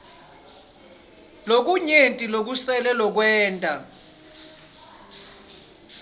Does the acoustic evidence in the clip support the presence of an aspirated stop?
no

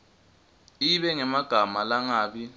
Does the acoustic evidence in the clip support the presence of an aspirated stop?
no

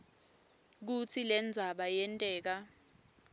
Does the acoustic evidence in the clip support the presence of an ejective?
yes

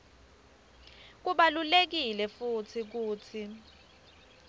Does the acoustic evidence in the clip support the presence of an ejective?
no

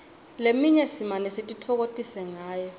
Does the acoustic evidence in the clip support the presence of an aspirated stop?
yes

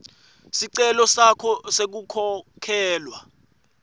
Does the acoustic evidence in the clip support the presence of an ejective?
no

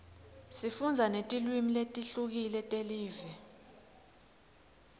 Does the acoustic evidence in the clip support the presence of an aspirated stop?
no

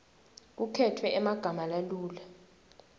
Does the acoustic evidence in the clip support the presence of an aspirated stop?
yes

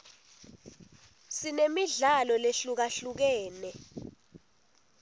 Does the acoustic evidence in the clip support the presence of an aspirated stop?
no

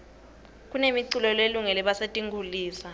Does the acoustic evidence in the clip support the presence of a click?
yes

